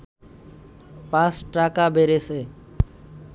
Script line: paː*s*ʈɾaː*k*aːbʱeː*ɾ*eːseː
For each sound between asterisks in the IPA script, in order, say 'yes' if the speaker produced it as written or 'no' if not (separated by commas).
yes, yes, yes